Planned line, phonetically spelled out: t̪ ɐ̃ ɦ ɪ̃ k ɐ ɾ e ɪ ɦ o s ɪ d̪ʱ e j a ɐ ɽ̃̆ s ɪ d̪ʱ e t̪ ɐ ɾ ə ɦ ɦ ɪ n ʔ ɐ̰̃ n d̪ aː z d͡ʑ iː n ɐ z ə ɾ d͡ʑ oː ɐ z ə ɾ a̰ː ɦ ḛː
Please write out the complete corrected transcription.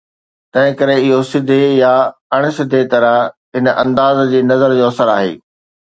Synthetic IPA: t̪ ɐ̃ ɦ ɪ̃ k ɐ ɾ e ɪ ɦ o s ɪ d̪ʱ e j a ɐ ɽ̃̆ s ɪ d̪ʱ e t̪ ɐ ɾ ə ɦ ɦ ɪ n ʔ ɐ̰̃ n d̪ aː z d͡ʑ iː n ɐ z ə ɾ d͡ʑ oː ɐ s ə ɾ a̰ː ɦ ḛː